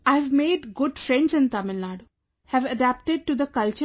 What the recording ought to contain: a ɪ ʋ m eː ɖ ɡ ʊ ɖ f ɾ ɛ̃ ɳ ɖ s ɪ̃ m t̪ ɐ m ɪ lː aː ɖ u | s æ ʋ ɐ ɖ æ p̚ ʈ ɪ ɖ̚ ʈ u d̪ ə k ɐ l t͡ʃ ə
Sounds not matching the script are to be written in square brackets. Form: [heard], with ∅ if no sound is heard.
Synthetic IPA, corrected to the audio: a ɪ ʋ m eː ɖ ɡ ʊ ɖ f ɾ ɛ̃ ɳ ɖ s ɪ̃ [n] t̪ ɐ m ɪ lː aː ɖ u | [h] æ ʋ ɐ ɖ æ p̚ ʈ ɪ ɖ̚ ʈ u d̪ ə k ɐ l t͡ʃ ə